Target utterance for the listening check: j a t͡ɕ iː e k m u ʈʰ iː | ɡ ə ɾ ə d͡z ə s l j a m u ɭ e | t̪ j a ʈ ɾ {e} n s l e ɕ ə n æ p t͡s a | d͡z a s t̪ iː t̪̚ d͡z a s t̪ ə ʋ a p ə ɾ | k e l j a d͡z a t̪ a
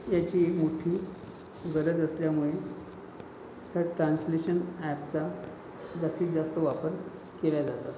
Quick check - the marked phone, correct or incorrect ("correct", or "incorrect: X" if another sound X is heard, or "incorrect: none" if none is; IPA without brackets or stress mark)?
incorrect: a